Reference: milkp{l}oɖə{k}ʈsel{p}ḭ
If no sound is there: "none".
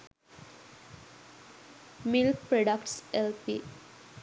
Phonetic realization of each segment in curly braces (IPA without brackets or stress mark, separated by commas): ɾ, k, p